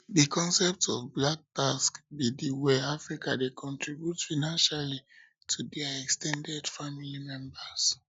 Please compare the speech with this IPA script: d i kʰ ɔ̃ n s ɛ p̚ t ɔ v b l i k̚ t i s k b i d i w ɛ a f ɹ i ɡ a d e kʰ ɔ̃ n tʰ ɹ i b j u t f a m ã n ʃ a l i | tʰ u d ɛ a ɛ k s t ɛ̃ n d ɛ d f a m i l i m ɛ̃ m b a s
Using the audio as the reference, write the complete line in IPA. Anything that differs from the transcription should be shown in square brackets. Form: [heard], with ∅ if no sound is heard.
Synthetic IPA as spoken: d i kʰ ɔ̃ n s ɛ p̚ t ɔ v b l [a] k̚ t [a] s k b i d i w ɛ a f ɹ i [k] a d e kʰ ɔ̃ n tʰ ɹ i b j u t f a [n] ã n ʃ a l i | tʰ u d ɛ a ɛ k s t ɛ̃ n d ɛ d f a m i l i m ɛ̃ m b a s